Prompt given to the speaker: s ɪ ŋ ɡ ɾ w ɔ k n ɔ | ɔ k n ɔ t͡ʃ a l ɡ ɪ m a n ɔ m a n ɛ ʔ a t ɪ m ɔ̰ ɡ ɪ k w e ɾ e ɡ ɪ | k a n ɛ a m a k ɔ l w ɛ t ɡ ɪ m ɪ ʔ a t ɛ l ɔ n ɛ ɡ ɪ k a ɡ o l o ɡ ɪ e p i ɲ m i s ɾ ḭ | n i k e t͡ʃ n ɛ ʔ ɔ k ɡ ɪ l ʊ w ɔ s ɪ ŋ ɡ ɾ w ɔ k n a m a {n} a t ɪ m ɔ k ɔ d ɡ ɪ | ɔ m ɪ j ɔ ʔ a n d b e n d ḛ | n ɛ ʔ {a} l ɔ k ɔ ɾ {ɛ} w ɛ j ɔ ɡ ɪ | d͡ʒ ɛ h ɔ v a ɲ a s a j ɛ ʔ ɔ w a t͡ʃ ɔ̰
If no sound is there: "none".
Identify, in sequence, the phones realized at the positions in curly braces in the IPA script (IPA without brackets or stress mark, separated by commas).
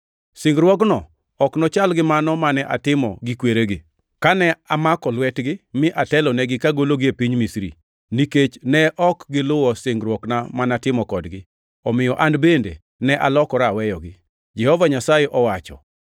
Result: n, a, a